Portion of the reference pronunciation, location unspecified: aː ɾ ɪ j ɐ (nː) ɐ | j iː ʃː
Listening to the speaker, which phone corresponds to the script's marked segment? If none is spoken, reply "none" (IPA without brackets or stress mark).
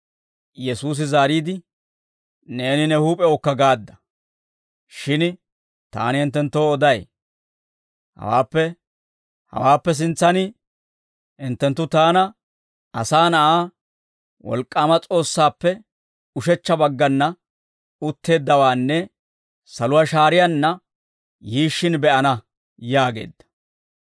nː